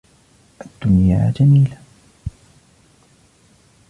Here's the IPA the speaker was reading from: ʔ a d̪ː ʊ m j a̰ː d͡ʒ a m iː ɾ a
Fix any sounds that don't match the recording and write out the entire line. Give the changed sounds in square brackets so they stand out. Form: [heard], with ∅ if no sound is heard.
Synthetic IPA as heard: ʔ a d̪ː ʊ [n] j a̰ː d͡ʒ a m iː [l] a